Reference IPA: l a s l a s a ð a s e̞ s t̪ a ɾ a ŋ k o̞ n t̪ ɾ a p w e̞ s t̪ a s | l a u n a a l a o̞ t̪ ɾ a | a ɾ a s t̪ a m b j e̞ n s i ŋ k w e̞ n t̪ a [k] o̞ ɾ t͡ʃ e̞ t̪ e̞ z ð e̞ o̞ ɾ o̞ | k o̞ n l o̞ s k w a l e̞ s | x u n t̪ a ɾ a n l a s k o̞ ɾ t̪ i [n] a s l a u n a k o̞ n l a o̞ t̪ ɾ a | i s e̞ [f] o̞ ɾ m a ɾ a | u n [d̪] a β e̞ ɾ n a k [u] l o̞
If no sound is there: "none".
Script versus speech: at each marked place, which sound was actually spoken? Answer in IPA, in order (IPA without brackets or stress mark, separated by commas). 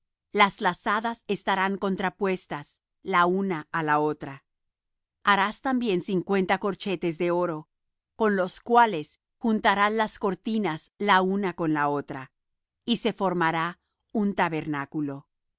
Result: k, n, f, t̪, u